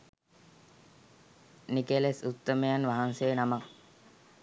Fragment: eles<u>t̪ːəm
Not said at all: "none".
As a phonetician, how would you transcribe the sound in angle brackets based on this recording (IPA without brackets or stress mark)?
u